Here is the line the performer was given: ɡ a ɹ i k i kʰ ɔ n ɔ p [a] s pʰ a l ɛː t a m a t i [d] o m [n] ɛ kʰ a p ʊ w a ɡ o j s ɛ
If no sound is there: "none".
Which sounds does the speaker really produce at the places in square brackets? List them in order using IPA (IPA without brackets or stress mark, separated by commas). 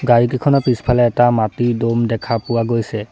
i, d, d